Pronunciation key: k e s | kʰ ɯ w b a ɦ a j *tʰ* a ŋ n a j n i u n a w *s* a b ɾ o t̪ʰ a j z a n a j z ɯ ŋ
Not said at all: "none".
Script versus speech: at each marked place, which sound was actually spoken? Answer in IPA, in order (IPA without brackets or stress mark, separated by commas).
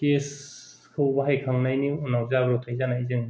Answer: kʰ, z